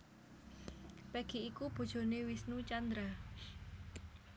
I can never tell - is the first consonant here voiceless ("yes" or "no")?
yes